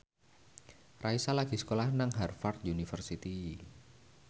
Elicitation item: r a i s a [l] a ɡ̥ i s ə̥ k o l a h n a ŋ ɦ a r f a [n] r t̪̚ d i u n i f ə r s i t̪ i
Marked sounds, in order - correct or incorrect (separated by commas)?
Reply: correct, incorrect